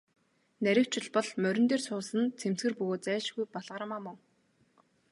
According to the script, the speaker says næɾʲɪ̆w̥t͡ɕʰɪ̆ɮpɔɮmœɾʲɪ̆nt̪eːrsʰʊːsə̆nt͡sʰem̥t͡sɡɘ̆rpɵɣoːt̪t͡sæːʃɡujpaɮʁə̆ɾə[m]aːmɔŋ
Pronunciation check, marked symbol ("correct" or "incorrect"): correct